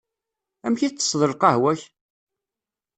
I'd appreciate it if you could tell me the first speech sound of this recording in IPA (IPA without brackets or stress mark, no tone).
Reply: æ